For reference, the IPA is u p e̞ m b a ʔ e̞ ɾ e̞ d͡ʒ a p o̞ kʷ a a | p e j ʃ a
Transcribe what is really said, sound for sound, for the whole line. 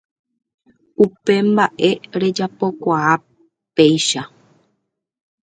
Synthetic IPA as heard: u p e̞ m b a ʔ e̞ ɾ e̞ d͡ʒ a p o̞ kʷ a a | p e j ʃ a